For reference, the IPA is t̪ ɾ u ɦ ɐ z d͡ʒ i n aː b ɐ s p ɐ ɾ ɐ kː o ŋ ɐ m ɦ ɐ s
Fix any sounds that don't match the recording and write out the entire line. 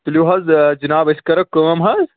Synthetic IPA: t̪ l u ɦ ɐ z d͡ʒ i n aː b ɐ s k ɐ ɾ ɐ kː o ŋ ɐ m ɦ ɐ z